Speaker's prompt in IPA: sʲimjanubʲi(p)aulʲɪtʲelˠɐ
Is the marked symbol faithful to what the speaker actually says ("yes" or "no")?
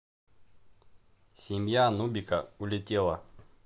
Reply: no